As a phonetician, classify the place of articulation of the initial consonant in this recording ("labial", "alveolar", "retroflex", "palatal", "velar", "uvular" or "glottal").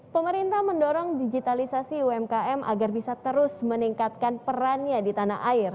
labial